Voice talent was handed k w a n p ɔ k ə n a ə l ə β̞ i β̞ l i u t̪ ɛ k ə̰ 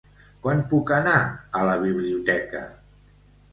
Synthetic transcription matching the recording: k w a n p u k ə n a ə l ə β̞ i β̞ l i u t̪ ɛ k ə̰